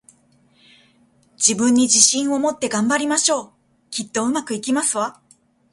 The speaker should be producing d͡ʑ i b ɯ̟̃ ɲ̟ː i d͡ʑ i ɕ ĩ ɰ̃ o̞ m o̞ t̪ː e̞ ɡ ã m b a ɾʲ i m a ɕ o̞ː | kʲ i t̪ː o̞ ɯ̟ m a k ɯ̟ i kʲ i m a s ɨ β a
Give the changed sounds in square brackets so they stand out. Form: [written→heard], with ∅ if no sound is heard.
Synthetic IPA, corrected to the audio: d͡ʑ i b ɯ̟̃ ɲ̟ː i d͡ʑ i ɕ ĩ ɰ̃ o̞ m o̞ t̪ː e̞ ɡ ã m b a ɾʲ i m a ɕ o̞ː | kʲ i t̪ː o̞ ɯ̟ m a k ɯ̟ i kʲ i m a s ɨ β a